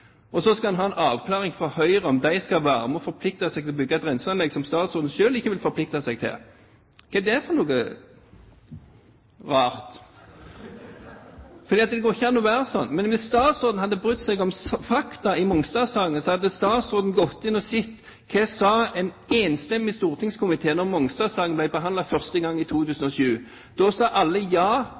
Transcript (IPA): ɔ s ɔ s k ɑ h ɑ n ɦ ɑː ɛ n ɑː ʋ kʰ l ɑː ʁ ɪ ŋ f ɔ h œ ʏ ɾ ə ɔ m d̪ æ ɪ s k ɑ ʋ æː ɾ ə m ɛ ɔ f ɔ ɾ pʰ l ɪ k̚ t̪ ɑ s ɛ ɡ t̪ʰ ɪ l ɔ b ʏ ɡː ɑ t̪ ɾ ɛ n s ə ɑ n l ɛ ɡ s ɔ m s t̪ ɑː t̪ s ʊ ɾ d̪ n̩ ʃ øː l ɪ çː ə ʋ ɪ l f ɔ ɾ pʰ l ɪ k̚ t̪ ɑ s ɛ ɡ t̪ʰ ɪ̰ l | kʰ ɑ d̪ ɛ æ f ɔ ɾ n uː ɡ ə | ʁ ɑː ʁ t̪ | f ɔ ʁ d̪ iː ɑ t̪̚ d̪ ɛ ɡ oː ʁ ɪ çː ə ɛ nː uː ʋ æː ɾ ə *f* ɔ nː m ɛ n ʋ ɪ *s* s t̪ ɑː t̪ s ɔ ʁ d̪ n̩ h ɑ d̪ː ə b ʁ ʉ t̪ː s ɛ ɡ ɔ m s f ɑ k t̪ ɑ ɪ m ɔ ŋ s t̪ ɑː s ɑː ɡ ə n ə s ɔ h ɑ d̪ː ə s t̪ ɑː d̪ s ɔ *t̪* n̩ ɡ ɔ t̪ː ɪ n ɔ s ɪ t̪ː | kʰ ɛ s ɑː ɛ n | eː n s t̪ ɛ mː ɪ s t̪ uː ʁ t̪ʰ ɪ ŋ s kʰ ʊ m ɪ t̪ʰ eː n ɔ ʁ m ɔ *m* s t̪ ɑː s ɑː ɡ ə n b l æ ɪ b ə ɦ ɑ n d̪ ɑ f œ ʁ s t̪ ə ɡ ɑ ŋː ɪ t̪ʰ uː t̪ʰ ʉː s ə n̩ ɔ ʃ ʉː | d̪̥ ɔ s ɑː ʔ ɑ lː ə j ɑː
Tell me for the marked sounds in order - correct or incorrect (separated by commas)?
incorrect, correct, incorrect, incorrect